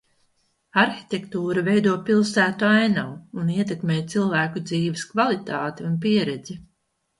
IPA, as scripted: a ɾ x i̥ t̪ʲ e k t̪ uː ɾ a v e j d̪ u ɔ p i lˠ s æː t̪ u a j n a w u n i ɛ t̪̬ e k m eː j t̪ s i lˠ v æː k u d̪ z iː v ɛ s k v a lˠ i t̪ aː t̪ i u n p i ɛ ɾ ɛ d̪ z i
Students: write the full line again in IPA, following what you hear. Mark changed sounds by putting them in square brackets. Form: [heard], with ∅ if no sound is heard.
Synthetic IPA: a ɾ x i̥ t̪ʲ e k t̪ uː ɾ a v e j d̪ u ɔ p i lˠ s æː t̪ u a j n a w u n i ɛ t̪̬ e k m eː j t̪ s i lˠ v æː k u d̪ z iː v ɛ s k v a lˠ i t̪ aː t̪ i u n p i ɛ ɾ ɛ d̪ z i

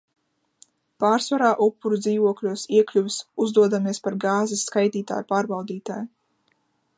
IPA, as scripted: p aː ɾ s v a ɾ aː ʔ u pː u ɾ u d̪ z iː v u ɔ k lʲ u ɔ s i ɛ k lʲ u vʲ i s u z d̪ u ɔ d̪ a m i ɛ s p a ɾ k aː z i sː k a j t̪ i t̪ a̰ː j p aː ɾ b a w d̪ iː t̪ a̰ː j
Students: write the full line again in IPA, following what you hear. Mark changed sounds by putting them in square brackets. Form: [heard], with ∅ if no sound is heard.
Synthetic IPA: p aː ɾ s v a ɾ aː ʔ u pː u ɾ u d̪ z iː v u ɔ k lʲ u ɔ s i ɛ k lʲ u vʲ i s u z d̪ u ɔ d̪ a m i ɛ s p a ɾ [ɡ] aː z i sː k a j t̪ [iː] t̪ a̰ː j p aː ɾ b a w d̪ iː t̪ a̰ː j

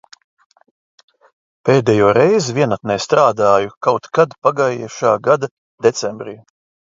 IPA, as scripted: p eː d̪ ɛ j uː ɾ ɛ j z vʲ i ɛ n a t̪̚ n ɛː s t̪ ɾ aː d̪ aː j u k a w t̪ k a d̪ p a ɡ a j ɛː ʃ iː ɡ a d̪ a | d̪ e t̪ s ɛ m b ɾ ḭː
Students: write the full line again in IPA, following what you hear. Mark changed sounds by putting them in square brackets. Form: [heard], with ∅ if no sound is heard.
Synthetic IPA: p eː d̪ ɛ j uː ɾ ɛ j z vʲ i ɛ n a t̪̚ n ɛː s t̪ ɾ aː d̪ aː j u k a w t̪ k a d̪ p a ɡ a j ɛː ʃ [aː] ɡ a d̪ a | d̪ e t̪ s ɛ m b ɾ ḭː

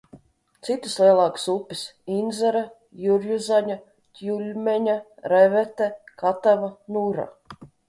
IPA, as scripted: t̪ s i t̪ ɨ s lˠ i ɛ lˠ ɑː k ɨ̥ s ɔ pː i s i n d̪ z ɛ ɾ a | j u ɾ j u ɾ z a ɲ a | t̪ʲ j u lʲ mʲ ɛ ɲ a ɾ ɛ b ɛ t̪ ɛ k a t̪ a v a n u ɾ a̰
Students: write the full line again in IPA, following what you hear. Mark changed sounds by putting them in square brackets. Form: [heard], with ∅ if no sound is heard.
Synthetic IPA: t̪ s i t̪ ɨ s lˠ i ɛ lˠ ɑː k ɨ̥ s [u] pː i s i n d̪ z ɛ ɾ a | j u ɾ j u [∅] z a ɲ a | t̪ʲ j u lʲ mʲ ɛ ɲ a ɾ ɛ [v] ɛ t̪ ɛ k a t̪ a v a n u ɾ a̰

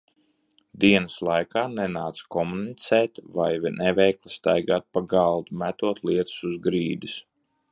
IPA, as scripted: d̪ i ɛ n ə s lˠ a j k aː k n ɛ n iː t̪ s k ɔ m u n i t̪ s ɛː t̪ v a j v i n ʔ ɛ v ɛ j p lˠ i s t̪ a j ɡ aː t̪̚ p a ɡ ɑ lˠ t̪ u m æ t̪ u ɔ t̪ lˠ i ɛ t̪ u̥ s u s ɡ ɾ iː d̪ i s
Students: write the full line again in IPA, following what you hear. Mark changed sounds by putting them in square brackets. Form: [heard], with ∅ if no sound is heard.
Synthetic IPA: d̪ i ɛ n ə s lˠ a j k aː [∅] n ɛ n [aː] t̪ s k ɔ m u n i t̪ s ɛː t̪ v a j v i n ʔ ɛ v ɛ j [k] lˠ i s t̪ a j ɡ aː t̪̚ p a ɡ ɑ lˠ [d̪] u m æ t̪ u ɔ t̪ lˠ i ɛ t̪ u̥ s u [z] ɡ ɾ iː d̪ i s

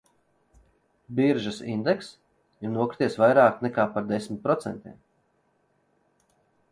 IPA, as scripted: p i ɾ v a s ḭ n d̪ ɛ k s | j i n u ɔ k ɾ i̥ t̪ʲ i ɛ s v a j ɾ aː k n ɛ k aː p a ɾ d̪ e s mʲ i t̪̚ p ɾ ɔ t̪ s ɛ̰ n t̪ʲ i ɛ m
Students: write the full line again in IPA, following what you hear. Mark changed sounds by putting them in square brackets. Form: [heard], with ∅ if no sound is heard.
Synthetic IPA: [b] i ɾ [ʒ] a s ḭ n d̪ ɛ k s | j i n u ɔ k ɾ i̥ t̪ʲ i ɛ s v a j ɾ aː k n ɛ k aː p a ɾ d̪ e s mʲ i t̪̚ p ɾ ɔ t̪ s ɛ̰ n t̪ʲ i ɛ m

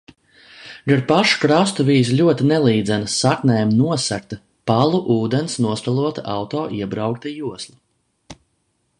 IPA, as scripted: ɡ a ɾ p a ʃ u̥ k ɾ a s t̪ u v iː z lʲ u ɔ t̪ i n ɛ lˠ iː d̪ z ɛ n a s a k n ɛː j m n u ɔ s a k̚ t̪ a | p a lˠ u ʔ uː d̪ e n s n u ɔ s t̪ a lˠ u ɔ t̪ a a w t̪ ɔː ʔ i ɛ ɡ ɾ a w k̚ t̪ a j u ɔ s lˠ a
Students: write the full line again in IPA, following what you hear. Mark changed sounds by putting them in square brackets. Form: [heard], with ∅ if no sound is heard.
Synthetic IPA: ɡ a ɾ p a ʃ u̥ k ɾ a s t̪ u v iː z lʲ u ɔ t̪ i n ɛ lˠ iː d̪ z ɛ n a s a k n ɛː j m n u ɔ s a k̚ t̪ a | p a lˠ u ʔ uː d̪ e n s n u ɔ s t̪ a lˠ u ɔ t̪ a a w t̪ ɔː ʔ i ɛ [b] ɾ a w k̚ t̪ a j u ɔ s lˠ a

